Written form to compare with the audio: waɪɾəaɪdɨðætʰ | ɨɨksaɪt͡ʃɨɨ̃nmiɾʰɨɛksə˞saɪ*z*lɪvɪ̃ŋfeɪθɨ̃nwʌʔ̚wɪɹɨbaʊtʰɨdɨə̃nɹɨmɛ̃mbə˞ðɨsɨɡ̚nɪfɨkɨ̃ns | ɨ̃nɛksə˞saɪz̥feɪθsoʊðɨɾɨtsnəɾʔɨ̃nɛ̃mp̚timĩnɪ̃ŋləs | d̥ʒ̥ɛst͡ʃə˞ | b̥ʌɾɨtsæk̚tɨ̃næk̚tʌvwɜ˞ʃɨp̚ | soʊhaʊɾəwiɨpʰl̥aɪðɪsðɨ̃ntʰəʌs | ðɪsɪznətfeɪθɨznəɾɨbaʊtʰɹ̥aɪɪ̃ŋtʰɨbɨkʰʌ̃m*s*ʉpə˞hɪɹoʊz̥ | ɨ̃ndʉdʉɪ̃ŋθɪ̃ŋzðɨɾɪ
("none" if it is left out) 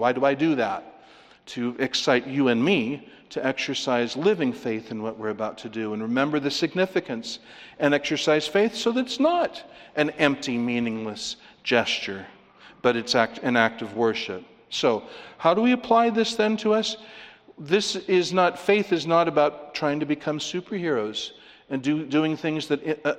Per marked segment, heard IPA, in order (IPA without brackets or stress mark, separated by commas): z, s